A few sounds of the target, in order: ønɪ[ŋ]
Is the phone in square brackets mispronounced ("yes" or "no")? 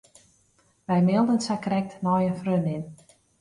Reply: yes